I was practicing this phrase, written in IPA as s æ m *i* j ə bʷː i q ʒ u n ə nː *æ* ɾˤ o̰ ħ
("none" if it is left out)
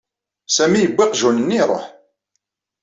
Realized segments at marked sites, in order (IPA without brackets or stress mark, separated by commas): i, i